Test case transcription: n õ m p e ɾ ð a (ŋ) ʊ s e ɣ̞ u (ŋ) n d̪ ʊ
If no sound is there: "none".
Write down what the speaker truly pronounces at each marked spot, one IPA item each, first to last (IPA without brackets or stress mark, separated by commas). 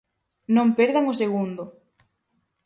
ŋ, none